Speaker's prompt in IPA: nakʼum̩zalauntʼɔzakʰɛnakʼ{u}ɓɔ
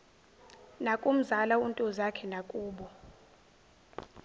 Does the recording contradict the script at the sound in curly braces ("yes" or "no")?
yes